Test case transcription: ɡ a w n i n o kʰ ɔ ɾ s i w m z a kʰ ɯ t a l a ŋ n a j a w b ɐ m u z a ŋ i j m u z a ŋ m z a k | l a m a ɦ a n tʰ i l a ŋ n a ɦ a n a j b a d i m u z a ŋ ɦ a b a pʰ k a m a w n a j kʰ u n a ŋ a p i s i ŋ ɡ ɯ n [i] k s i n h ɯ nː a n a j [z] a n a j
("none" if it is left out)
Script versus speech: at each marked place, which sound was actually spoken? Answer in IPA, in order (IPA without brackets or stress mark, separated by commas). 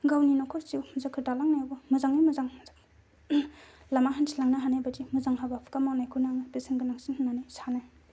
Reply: a, s